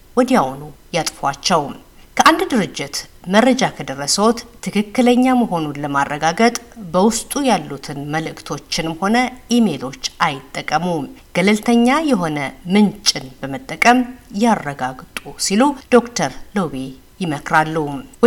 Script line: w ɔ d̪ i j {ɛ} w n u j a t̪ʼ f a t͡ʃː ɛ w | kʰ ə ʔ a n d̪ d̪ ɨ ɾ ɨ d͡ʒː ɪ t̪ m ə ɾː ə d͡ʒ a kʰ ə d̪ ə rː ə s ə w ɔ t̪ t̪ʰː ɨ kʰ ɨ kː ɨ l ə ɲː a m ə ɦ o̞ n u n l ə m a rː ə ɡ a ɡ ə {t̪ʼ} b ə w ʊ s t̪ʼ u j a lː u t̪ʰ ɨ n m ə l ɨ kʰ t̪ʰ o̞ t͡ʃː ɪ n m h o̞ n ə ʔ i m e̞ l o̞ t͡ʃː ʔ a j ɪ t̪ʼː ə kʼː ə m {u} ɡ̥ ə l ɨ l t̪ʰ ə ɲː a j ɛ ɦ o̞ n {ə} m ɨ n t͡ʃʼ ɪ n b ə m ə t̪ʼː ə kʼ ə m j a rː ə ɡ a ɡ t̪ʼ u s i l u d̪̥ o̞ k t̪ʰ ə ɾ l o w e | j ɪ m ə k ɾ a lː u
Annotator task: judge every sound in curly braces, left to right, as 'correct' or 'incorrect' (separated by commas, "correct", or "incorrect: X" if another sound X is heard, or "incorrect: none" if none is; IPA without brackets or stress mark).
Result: incorrect: a, correct, correct, correct